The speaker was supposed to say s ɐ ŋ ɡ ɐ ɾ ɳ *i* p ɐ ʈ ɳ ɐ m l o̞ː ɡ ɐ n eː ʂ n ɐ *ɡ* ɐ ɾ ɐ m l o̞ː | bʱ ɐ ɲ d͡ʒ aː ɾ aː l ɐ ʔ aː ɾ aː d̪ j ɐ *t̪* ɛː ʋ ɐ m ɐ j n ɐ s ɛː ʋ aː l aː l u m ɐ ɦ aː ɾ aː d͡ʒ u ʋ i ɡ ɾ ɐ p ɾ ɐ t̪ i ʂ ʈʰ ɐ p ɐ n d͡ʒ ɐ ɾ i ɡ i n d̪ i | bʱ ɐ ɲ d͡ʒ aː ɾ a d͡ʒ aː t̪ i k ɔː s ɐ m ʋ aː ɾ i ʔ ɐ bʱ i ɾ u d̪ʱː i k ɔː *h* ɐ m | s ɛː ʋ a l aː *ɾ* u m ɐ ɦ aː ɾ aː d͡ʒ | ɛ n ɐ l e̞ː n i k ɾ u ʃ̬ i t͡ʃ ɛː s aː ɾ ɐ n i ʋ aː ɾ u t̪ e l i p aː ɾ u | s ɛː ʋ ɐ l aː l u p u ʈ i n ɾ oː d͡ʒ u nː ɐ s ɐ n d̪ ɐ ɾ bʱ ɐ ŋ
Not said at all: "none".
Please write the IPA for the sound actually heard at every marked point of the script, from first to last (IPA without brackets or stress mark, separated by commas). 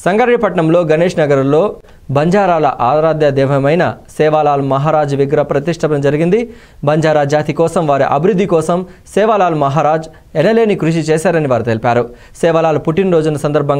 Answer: i, ɡ, d̪, s, l